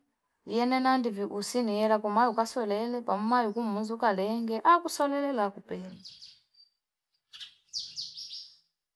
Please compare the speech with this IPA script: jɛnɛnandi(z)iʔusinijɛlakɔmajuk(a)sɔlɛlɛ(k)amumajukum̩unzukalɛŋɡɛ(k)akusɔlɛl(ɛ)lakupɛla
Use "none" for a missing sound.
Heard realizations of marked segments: v, a, p, ʔ, ɛ

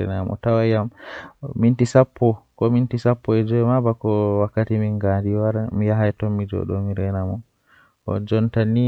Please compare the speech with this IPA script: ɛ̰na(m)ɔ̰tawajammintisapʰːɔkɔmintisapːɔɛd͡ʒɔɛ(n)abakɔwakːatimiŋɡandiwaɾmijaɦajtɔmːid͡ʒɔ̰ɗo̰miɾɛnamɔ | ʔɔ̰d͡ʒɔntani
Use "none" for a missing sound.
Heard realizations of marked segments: m, m

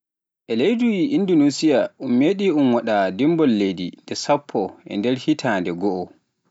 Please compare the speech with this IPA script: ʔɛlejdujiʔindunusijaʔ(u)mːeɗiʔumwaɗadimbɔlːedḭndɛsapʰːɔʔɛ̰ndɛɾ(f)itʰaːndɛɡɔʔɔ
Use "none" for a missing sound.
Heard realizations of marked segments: u, h

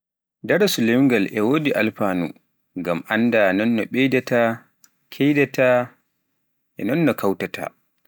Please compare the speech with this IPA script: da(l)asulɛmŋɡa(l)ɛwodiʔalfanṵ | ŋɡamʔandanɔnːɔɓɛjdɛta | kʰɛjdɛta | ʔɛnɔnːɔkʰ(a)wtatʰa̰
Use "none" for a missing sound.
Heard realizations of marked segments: ɾ, l, a

